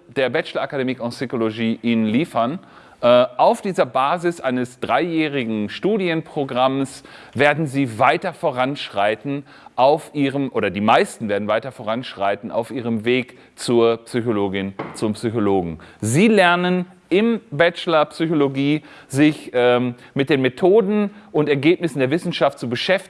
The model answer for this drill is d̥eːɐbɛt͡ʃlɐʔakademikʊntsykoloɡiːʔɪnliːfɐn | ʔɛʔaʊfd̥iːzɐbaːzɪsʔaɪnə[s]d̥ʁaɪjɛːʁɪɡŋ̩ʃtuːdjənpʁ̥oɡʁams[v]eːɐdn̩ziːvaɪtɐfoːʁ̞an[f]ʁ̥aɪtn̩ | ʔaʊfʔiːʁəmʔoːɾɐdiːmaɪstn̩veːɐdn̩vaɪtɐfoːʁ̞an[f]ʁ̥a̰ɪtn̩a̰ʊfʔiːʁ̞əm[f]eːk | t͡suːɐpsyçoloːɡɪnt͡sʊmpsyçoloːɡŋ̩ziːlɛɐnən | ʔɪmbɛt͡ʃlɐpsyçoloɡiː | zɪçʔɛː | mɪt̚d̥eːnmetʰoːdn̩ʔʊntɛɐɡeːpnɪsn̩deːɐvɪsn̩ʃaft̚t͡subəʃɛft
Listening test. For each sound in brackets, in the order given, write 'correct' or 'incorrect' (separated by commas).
correct, correct, incorrect, incorrect, incorrect